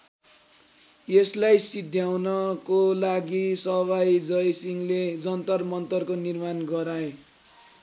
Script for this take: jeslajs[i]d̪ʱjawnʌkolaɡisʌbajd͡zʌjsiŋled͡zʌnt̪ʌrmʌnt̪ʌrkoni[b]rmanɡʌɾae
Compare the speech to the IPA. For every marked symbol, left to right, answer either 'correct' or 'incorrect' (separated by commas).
correct, incorrect